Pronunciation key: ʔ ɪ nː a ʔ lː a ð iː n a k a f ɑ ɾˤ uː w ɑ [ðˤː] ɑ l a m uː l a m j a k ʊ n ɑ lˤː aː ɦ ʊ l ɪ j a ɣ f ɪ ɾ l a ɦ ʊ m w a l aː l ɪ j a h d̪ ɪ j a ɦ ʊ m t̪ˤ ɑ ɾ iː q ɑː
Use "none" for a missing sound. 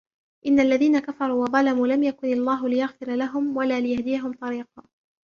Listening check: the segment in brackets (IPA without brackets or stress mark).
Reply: ðˤ